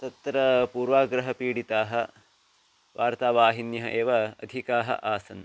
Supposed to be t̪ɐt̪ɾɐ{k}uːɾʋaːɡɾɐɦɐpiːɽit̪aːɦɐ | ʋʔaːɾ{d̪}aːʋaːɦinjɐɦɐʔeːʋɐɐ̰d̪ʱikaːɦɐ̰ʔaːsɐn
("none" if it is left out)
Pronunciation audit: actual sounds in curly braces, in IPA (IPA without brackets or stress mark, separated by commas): p, t̪